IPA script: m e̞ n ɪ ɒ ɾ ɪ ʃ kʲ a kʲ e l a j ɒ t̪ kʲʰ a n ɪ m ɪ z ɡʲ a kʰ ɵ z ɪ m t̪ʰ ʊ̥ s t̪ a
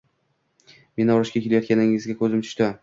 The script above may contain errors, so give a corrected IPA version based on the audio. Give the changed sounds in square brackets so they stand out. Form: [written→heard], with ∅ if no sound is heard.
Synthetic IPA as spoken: m e̞ n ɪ ɒ ɾ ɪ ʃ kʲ a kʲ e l a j ɒ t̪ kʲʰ a n ɪ [m→ŋ] ɪ z ɡʲ a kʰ ɵ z ɪ m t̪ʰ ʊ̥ [s→ʃ] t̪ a